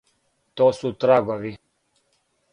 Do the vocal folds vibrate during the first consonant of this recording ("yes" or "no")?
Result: no